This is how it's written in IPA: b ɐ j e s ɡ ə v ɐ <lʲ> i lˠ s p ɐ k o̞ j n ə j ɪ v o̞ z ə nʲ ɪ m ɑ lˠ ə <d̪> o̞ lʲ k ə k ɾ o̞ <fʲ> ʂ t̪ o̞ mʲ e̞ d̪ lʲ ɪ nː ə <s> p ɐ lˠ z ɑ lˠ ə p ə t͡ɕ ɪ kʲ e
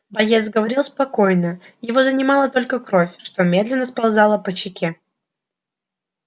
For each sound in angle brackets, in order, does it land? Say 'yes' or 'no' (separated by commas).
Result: no, no, yes, yes